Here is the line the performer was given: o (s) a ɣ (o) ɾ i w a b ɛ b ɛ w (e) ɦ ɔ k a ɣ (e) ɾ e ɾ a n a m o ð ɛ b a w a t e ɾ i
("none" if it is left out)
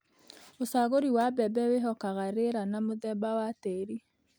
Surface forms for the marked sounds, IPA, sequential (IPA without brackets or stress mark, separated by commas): s, o, e, a